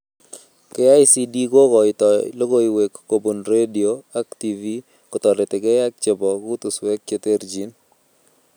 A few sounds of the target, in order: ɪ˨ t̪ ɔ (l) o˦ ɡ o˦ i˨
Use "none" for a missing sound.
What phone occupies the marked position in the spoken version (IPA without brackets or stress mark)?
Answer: l